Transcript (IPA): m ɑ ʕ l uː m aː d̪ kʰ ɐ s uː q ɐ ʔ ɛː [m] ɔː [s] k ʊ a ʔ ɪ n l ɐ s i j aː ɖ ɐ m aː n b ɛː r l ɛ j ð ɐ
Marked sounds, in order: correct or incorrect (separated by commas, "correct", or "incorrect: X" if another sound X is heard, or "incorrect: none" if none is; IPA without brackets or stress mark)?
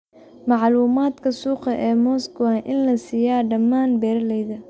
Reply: correct, correct